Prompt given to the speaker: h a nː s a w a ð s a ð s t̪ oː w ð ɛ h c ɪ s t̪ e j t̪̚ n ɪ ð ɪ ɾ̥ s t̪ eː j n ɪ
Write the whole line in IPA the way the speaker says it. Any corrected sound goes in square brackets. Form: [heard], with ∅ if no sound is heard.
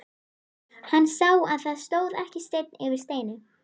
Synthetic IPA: h a nː s a w a ð [θ] a ð s t̪ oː w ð ɛ h c ɪ s t̪ e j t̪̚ n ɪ [v] ɪ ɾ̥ s t̪ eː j n ɪ